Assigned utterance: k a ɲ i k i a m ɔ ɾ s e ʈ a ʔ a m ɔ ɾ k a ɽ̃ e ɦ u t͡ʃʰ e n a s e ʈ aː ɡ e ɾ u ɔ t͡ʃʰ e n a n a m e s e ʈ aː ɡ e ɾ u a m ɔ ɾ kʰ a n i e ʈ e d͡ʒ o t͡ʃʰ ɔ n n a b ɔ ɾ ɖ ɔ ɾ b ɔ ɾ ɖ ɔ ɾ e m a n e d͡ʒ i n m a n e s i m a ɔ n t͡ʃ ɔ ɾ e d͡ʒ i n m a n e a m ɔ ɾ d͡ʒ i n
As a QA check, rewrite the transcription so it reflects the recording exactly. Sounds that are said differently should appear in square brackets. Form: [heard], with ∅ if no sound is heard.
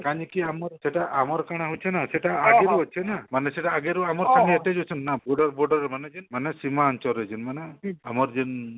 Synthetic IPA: k a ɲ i k i a m ɔ ɾ s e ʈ a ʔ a m ɔ ɾ k a ɽ̃ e ɦ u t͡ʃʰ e n a s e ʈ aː ɡ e ɾ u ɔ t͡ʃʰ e n a [m] a [n] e s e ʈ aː ɡ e ɾ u a m ɔ ɾ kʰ a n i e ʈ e d͡ʒ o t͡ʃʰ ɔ n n a b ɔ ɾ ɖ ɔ ɾ b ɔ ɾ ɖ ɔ ɾ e m a n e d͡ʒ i n m a n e s i m a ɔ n t͡ʃ ɔ ɾ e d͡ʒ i n m a n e a m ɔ ɾ d͡ʒ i n